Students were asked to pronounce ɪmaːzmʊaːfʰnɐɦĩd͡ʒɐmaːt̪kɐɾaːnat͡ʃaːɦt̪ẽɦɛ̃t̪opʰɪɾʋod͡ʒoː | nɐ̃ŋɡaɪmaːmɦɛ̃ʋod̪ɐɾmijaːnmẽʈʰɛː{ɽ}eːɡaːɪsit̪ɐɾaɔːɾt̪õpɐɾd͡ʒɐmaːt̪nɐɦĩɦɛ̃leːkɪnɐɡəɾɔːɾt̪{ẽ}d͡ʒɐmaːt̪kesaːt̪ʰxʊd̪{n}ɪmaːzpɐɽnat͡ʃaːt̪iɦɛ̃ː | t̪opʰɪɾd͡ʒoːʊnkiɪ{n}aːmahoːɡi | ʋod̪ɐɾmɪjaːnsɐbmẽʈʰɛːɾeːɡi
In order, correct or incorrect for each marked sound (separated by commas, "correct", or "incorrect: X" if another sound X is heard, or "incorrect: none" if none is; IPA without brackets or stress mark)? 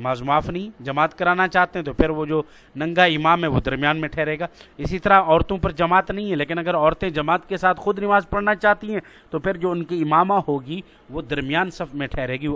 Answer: incorrect: ɾ, correct, correct, incorrect: m